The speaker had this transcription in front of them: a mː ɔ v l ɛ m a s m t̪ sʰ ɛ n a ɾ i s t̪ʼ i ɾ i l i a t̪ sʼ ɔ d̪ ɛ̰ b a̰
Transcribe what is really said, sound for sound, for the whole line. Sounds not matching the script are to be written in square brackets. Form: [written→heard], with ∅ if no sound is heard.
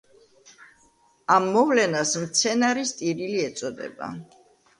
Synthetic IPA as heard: a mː ɔ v l ɛ [m→n] a s m t̪ sʰ ɛ n a ɾ i s t̪ʼ i ɾ i l i [a→ɛ] t̪ sʼ ɔ d̪ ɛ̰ b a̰